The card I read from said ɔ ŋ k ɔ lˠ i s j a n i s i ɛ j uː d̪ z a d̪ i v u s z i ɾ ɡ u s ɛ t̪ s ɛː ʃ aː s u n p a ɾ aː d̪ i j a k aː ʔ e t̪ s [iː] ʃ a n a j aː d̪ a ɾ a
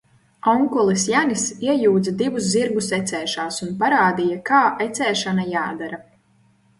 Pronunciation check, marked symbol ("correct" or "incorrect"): incorrect